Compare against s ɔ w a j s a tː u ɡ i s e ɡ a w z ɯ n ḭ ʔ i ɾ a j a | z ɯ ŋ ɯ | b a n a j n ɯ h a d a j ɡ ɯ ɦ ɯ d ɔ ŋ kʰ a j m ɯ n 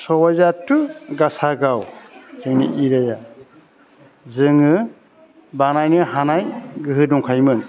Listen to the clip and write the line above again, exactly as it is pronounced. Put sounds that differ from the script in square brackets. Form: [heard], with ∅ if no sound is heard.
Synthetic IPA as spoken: s ɔ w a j [z] a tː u ɡ [a] s [a] ɡ a w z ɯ n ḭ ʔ i ɾ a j a | z ɯ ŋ ɯ | b a n a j n ɯ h a [n] a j ɡ ɯ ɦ ɯ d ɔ ŋ kʰ a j m ɯ n